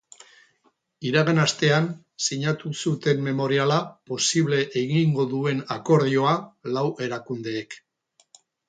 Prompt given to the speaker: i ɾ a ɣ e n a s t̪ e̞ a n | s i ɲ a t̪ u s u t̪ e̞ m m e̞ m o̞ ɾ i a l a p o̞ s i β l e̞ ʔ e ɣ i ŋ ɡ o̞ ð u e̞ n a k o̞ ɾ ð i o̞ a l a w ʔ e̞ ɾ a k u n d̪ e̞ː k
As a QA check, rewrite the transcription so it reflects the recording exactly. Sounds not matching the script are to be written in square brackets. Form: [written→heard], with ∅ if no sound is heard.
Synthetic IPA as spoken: i ɾ a ɣ e n a s t̪ e̞ a n | s i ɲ a t̪ u s u t̪ e̞ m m e̞ m o̞ ɾ i a l a p o̞ s i β l e̞ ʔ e ɣ i ŋ ɡ o̞ ð u e̞ n a k o̞ ɾ ð i o̞ a l a w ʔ e̞ ɾ a k u n d̪ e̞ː k